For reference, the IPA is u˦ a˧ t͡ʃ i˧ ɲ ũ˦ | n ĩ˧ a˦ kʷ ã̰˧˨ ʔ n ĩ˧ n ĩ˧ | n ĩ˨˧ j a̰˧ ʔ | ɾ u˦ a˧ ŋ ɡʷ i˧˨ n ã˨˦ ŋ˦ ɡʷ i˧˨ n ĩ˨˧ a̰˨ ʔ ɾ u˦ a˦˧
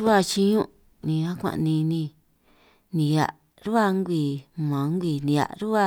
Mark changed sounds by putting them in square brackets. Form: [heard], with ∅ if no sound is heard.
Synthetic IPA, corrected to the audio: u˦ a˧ t͡ʃ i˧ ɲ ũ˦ | n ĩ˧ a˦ kʷ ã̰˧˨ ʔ n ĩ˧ n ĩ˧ | n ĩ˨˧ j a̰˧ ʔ | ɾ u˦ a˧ ŋ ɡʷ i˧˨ [m] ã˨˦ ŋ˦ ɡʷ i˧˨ n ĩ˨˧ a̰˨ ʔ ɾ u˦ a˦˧